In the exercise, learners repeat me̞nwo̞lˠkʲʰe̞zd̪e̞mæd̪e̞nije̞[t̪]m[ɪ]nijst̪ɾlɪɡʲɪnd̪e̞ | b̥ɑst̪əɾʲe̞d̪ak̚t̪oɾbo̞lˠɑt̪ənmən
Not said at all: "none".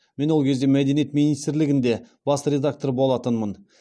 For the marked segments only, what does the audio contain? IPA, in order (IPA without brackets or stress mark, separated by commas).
t̪, i